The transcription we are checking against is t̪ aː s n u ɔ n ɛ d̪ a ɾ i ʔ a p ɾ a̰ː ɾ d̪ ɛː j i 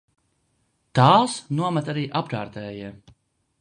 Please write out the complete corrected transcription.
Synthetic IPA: t̪ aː s n u ɔ m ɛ t̪ a ɾ iː ʔ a p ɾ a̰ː ɾ t̪ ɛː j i